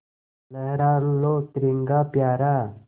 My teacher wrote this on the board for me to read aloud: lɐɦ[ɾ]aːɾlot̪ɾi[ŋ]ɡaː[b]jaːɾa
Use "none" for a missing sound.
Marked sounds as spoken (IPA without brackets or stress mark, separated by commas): ɾ, ŋ, p